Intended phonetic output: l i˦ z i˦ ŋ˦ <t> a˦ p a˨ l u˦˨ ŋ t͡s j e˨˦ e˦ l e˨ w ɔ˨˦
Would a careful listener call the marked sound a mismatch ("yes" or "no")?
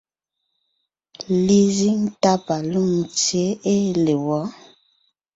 no